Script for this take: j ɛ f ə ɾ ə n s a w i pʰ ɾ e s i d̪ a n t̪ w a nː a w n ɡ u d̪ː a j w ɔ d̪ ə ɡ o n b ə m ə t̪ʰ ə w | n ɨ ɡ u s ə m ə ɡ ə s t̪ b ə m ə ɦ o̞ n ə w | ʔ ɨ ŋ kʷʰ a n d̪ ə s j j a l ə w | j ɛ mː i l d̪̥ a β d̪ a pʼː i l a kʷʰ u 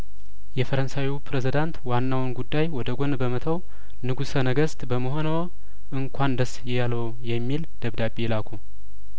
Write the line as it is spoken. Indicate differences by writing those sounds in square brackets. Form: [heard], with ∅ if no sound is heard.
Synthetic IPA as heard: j ɛ f ə ɾ ə n s a w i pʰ ɾ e [z] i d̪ a n t̪ w a nː a w n ɡ u d̪ː a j w ɔ d̪ ə ɡ o n b ə m ə t̪ʰ ə w | n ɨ ɡ u s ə [n] ə ɡ ə s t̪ b ə m ə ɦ o̞ n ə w | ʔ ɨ ŋ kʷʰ a n d̪ ə s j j a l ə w | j ɛ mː i l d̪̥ [ə] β d̪ a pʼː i l a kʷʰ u